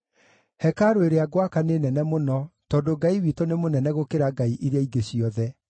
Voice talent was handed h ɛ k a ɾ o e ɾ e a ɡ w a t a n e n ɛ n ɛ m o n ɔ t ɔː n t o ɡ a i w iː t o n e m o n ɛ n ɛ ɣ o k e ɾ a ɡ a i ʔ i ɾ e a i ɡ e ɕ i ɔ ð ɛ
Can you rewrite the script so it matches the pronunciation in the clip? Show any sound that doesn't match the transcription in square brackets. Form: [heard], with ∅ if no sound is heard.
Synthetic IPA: h ɛ k a ɾ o e ɾ e a ɡ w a [k] a n e n ɛ n ɛ m o n ɔ t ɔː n [d] o ɡ a i w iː t o n e m o n ɛ n ɛ ɣ o k e ɾ a ɡ a i ʔ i ɾ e a i ɡ e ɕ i ɔ ð ɛ